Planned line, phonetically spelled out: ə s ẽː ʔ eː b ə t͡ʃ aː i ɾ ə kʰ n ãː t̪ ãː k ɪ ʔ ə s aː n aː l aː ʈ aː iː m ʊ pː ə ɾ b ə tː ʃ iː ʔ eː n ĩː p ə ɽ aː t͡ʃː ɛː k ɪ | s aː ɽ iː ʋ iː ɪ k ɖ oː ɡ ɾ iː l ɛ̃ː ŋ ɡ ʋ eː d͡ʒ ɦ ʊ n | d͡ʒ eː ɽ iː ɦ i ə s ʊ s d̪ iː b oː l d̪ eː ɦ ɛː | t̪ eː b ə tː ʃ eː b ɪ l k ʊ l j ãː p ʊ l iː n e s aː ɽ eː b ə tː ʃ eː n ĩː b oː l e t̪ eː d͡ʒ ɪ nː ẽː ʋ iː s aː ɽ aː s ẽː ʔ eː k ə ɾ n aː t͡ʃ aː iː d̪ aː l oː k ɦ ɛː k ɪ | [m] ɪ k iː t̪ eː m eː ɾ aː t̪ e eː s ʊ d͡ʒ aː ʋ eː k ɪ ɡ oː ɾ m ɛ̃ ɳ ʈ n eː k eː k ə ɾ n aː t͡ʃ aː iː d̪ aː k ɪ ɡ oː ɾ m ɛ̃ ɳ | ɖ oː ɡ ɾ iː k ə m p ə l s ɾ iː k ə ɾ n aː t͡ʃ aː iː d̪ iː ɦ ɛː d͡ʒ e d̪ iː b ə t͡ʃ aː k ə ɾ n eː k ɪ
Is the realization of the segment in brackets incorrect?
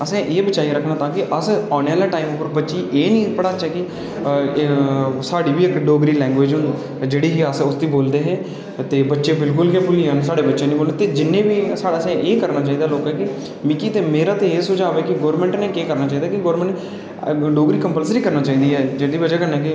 no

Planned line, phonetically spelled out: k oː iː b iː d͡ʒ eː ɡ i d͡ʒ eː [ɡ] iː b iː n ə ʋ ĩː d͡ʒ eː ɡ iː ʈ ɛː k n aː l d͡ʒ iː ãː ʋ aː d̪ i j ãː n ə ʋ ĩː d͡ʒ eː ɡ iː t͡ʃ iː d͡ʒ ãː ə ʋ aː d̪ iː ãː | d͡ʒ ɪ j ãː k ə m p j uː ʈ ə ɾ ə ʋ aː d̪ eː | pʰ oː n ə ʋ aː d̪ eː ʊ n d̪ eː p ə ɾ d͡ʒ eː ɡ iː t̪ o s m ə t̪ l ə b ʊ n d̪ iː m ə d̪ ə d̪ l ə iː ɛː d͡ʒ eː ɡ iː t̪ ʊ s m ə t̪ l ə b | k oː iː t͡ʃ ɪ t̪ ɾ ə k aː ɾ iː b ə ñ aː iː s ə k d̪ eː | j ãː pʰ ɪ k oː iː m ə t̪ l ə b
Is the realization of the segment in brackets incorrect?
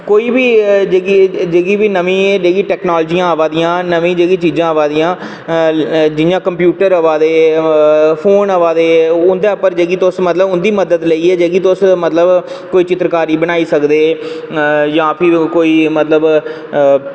no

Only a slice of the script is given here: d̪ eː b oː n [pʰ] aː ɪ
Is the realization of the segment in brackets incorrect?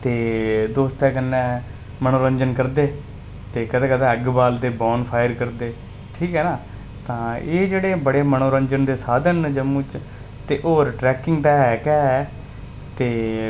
no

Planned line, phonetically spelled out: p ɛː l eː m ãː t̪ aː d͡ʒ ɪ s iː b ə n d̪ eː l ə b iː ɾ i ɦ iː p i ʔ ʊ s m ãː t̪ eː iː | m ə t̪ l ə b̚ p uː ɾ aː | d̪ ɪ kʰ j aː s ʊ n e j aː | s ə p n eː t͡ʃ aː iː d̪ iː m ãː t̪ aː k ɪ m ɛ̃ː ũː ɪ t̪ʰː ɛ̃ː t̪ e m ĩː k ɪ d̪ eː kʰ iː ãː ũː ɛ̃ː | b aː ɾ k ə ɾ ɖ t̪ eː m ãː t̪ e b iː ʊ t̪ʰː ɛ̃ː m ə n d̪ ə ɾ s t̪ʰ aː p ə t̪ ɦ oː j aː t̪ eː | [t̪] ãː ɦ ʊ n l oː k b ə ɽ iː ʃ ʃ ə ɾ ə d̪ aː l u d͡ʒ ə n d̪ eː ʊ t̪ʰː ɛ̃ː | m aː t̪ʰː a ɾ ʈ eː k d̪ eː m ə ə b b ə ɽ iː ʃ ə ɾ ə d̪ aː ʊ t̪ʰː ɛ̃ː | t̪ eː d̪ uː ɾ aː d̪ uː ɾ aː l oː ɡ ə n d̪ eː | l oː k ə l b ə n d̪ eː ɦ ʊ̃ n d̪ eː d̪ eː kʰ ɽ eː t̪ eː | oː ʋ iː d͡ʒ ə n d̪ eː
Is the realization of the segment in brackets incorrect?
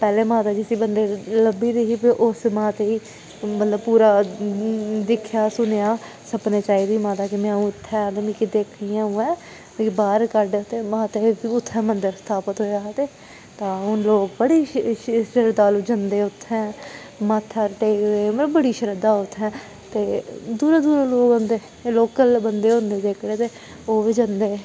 no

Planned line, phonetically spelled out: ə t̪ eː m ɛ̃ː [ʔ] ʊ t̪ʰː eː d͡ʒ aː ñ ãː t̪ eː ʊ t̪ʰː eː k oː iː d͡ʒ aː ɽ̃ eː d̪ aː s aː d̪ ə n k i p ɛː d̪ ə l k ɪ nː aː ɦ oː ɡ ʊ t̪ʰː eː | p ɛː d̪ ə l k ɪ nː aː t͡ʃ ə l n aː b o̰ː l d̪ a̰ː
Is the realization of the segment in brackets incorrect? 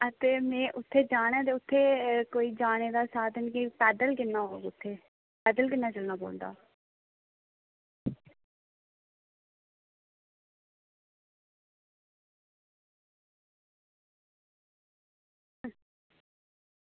no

